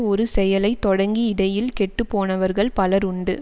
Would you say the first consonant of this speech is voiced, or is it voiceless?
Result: voiced